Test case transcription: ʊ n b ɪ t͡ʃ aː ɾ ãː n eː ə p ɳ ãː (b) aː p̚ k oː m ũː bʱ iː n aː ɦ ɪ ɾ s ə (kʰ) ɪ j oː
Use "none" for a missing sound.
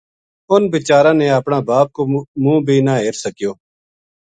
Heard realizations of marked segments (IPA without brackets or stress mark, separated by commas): b, k